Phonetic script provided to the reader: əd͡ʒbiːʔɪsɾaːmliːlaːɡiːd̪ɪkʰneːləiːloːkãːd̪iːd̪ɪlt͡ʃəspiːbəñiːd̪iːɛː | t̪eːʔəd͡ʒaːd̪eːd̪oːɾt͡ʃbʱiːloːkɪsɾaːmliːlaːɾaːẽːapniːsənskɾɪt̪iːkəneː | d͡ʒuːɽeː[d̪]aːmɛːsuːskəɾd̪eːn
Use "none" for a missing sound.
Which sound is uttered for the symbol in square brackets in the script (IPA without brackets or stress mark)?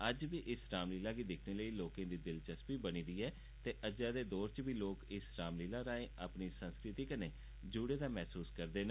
d̪